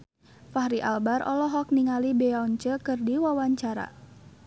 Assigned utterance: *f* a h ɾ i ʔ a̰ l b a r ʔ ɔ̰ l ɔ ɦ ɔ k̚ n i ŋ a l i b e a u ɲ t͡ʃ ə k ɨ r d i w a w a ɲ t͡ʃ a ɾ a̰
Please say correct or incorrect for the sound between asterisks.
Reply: correct